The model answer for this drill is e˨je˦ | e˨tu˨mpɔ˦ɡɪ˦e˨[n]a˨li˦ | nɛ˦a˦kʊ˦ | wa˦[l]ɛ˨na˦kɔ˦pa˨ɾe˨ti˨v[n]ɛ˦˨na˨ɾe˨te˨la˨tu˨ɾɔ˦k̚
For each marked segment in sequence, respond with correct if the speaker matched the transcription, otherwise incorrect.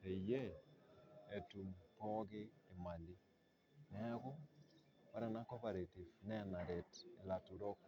incorrect, incorrect, correct

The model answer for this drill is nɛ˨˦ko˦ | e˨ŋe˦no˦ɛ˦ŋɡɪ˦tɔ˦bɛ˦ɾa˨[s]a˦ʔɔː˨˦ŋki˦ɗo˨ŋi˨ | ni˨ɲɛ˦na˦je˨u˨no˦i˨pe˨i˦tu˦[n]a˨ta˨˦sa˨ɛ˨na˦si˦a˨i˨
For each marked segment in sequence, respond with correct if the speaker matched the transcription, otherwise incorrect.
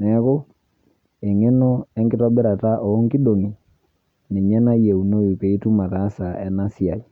incorrect, incorrect

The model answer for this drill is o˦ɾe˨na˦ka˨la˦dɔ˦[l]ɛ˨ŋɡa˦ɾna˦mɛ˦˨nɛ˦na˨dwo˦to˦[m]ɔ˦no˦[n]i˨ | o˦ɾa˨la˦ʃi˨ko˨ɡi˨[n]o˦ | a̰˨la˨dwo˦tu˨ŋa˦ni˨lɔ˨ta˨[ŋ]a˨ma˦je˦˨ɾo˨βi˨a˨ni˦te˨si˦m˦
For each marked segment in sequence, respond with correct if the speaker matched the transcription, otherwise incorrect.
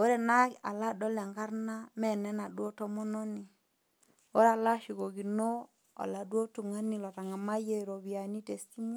correct, correct, correct, correct, correct

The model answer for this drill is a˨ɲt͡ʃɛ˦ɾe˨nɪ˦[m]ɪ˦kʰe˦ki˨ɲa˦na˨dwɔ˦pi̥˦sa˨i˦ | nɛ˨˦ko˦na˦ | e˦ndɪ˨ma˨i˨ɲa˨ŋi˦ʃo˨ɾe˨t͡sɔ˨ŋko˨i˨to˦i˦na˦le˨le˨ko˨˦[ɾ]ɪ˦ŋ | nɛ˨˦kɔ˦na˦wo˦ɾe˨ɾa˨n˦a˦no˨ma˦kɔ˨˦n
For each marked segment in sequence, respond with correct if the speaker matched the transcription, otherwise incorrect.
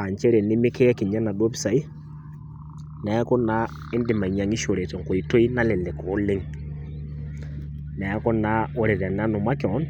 correct, incorrect

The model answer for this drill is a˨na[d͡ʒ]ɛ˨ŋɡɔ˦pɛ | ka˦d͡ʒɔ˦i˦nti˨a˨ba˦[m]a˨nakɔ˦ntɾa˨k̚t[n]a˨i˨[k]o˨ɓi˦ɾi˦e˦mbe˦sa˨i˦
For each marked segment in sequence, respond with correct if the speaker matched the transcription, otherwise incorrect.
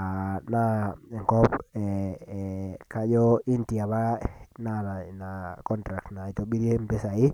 incorrect, incorrect, correct, incorrect

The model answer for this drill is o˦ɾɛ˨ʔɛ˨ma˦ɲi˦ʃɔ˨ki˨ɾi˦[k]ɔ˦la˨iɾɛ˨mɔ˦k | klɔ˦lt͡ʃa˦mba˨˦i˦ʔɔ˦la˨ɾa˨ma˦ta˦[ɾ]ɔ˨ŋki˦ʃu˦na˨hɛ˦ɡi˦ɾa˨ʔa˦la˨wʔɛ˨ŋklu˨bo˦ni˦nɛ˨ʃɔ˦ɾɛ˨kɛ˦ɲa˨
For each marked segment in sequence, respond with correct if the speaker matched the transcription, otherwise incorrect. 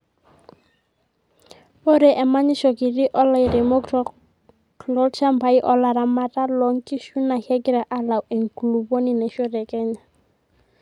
incorrect, incorrect

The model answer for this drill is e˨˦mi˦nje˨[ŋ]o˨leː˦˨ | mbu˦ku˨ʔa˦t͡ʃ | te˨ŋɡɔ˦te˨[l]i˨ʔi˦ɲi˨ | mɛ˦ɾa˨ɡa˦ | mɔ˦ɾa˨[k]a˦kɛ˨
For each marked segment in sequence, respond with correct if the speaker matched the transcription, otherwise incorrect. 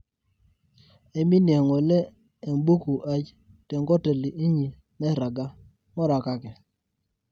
correct, correct, correct

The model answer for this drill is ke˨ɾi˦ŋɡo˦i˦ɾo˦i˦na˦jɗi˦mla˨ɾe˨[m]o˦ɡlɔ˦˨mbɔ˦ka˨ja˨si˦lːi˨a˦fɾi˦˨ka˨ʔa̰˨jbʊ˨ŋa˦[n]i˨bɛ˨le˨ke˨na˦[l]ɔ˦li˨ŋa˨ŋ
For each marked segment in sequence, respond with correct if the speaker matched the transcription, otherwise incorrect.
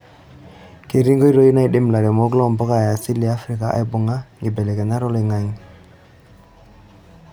correct, incorrect, incorrect

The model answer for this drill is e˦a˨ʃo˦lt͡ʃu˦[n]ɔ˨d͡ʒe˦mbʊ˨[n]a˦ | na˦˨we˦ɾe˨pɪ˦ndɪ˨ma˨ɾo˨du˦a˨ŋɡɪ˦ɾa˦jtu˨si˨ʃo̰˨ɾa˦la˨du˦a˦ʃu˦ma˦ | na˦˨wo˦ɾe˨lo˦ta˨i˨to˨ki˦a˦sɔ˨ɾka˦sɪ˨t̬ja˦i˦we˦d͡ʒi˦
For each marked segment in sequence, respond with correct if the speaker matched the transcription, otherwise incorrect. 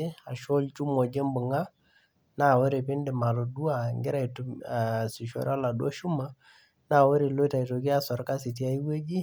incorrect, incorrect

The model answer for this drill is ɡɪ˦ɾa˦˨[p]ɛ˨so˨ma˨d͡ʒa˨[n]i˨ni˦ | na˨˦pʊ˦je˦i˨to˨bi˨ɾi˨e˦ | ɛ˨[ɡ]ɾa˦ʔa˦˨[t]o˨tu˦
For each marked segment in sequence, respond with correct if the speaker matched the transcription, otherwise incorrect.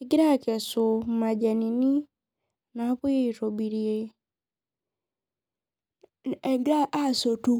incorrect, correct, correct, incorrect

